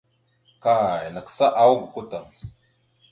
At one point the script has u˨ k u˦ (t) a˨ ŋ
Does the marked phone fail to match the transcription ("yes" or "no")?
no